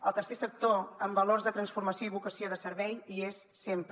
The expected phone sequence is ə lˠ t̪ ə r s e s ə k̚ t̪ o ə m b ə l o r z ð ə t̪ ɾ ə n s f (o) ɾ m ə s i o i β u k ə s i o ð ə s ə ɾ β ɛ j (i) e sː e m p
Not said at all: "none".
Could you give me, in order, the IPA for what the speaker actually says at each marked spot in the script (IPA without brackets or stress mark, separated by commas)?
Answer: u, i